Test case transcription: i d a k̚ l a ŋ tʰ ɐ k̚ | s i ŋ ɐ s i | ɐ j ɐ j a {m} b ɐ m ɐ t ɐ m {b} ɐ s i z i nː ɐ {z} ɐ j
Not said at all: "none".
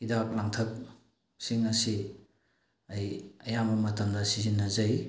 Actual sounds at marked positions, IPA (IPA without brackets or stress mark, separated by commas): m, d, z